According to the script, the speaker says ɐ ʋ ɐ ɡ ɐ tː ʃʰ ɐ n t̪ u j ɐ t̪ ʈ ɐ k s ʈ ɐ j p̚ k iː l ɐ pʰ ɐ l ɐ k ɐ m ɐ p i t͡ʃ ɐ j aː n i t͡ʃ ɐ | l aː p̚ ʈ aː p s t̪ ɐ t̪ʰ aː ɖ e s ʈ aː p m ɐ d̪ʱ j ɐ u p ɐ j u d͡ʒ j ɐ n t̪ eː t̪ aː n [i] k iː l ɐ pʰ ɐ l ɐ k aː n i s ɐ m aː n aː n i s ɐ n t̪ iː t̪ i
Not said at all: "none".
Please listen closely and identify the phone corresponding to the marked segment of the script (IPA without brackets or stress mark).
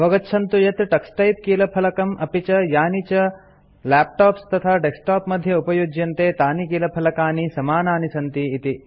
i